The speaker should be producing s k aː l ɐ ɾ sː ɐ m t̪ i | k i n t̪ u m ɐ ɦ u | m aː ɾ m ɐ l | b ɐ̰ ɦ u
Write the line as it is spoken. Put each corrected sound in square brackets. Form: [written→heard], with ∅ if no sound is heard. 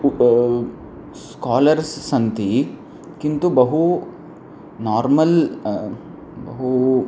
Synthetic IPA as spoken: s k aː l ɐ ɾ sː ɐ [m→n] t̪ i | k i n t̪ u [m→b] ɐ ɦ u | [m→n] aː ɾ m ɐ l | b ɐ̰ ɦ u